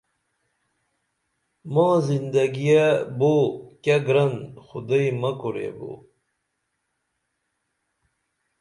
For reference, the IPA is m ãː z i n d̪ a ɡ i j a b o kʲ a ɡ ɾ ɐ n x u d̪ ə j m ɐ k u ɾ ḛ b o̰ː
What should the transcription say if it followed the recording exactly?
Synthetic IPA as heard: m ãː z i n d̪ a ɡ i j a b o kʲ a ɡ ɾ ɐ n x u d̪ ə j m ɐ k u ɾ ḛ b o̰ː